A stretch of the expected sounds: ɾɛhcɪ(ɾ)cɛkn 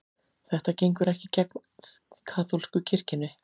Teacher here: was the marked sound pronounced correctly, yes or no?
no